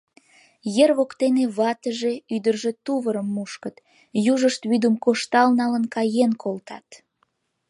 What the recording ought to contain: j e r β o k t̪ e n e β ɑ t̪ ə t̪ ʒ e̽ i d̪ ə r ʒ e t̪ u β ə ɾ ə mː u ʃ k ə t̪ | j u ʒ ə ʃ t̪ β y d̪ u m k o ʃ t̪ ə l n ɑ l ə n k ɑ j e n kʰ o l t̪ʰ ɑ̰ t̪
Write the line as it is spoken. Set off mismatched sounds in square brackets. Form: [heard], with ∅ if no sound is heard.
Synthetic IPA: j e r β o k t̪ e n e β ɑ t̪ ə [∅] ʒ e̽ [y] d̪ ə r ʒ e t̪ u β ə ɾ ə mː u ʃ k ə t̪ | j u ʒ ə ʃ t̪ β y d̪ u m k o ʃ t̪ [ɑ] l n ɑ l ə n k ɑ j e n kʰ o l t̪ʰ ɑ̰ t̪